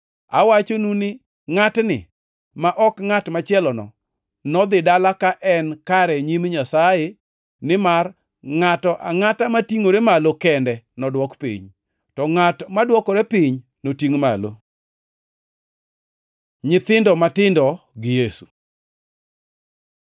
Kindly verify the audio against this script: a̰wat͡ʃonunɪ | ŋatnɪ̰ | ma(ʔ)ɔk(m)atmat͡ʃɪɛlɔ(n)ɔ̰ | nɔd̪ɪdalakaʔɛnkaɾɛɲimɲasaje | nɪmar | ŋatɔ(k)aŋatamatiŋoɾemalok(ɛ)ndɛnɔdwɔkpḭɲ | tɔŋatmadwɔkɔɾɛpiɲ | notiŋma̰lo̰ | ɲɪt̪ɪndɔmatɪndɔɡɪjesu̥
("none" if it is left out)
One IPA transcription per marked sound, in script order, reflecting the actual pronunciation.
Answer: ʔ, ŋ, n, ʔ, ɛ

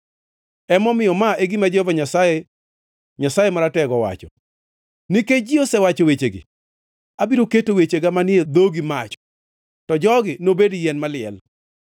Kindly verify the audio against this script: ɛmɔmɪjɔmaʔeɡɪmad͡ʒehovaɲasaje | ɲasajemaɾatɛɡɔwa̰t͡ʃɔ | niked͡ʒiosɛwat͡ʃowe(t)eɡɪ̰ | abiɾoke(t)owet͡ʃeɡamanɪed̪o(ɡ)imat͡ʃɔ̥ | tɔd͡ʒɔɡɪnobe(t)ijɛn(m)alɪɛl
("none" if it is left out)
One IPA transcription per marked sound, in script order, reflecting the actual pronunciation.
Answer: t͡ʃ, t, ɡ, d, m

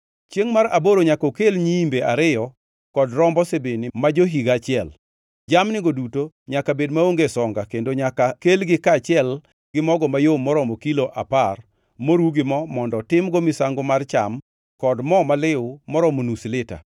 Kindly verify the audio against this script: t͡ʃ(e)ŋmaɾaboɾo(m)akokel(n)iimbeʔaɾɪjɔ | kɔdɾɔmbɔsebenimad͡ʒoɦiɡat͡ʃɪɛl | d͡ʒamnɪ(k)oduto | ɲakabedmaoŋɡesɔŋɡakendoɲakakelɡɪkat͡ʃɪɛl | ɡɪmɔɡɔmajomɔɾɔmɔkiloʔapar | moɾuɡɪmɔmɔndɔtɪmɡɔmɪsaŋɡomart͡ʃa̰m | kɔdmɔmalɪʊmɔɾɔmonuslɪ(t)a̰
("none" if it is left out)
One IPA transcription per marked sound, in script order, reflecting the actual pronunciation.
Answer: e, ɲ, ɲ, ɡ, t

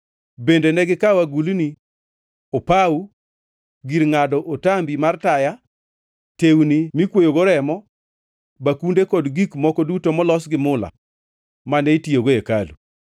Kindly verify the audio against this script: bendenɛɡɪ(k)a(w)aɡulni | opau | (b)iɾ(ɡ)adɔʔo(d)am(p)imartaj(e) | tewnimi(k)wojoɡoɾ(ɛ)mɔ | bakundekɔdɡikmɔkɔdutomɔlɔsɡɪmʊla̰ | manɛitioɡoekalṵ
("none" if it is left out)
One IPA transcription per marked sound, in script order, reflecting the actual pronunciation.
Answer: k, w, ɡ, ŋ, t, b, a, k, ɛ

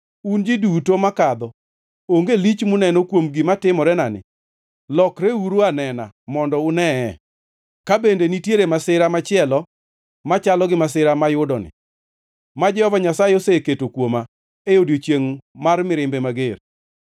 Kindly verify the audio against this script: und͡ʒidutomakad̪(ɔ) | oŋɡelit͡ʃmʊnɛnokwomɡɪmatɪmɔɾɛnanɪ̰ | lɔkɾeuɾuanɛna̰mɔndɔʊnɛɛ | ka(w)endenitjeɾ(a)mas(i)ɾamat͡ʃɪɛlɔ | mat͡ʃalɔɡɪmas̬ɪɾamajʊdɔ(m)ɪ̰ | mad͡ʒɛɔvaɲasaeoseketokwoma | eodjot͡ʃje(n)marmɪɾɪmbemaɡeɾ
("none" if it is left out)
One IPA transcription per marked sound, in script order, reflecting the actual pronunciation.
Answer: ɔ, b, e, ɪ, n, ŋ

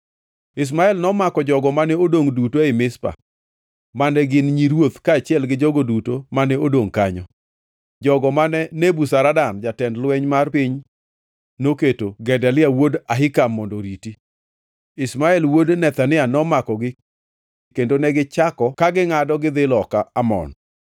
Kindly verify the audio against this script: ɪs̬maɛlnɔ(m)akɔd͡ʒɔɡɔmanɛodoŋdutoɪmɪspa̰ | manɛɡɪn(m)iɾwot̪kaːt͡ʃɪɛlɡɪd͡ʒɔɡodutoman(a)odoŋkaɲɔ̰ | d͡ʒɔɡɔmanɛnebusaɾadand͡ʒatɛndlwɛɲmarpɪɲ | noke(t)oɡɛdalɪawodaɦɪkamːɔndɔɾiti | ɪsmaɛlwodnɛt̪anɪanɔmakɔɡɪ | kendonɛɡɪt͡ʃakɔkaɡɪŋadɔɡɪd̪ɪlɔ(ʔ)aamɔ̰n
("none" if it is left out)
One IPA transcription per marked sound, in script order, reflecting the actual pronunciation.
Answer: m, ɲ, ɛ, t, k

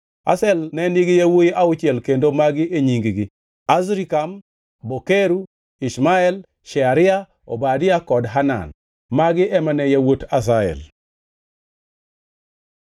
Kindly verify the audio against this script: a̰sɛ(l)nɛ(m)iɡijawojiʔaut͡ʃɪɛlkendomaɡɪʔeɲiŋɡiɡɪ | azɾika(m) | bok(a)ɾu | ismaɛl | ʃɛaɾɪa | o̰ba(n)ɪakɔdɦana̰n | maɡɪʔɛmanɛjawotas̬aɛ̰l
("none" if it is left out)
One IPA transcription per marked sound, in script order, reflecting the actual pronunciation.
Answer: l, n, m, e, d

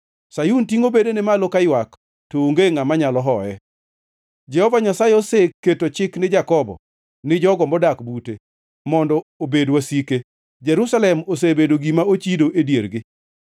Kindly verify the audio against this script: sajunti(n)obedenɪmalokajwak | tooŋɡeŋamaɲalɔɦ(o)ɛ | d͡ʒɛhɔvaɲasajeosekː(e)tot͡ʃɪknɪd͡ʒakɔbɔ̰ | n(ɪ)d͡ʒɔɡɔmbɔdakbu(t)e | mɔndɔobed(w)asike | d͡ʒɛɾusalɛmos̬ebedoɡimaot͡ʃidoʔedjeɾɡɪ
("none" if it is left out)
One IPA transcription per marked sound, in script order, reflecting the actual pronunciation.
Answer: ŋ, ɔ, e, ɪ, t, w

